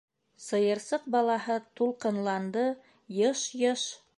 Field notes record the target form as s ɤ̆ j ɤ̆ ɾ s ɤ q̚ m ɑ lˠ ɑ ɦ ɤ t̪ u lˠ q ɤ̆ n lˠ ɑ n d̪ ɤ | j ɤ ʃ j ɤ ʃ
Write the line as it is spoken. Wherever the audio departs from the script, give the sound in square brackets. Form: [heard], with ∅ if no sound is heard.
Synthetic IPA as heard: s ɤ̆ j ɤ̆ ɾ s ɤ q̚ [b] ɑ lˠ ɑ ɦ ɤ t̪ u lˠ q ɤ̆ n lˠ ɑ n d̪ ɤ | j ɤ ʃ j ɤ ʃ